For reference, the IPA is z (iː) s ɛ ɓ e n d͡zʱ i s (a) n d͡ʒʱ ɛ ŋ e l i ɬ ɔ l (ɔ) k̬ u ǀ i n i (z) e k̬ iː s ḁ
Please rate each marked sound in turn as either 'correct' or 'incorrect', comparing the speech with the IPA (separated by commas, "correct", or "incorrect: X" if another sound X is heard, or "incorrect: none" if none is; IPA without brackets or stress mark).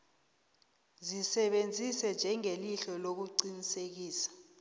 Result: incorrect: i, incorrect: ɛ, incorrect: o, incorrect: s